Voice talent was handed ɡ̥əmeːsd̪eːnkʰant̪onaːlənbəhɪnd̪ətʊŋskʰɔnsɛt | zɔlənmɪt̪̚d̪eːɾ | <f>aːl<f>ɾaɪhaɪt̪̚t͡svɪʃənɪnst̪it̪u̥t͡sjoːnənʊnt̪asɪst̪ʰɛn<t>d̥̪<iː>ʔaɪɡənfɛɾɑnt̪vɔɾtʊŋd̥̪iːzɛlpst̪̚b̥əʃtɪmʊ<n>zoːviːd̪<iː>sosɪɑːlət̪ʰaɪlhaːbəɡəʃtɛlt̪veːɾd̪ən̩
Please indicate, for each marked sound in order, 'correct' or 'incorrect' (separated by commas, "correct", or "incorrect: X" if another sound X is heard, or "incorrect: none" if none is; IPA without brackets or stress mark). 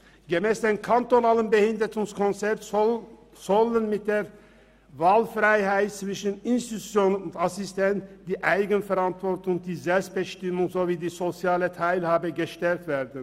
incorrect: v, correct, correct, correct, incorrect: ŋ, correct